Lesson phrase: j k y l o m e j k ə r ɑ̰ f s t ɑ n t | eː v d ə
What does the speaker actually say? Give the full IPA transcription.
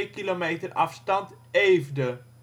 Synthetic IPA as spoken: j k i l o m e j t ə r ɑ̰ f s t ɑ n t | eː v d ə